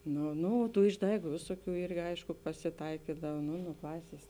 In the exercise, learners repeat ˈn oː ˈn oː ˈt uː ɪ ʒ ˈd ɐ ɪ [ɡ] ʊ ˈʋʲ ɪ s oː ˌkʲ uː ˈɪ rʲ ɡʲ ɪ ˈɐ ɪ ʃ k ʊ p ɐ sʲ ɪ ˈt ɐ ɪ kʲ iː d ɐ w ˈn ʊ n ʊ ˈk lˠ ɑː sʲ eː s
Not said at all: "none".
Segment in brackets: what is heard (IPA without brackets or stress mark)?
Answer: ɡ